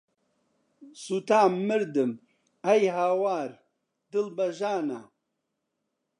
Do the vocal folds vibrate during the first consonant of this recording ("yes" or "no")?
no